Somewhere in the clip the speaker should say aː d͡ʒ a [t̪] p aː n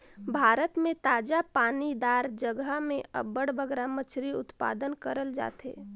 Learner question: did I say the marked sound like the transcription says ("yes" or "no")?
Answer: no